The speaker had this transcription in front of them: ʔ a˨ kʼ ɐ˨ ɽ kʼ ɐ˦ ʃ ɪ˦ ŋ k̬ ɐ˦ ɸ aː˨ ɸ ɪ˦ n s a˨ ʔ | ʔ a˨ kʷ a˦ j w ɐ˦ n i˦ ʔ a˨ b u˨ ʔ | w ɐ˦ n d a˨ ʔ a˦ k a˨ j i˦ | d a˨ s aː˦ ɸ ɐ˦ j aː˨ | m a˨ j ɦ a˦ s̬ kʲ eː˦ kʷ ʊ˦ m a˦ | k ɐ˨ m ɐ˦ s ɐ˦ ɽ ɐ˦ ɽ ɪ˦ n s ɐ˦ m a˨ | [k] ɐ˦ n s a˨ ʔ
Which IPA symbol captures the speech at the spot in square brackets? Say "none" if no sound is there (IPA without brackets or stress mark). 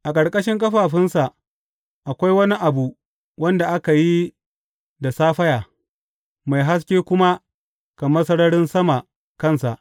k